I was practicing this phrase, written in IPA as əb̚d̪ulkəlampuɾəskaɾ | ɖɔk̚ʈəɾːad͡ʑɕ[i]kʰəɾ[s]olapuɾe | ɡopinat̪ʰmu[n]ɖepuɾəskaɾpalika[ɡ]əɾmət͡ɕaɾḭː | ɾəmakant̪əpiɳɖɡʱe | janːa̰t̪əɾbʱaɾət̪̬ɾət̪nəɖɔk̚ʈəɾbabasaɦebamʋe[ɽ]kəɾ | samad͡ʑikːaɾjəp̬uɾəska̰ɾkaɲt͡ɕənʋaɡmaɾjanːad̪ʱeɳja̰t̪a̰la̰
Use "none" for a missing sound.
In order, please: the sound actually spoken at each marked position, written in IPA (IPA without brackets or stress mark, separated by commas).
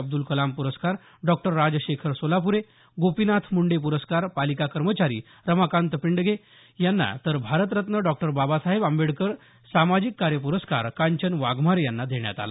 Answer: e, s, ɳ, k, ɽ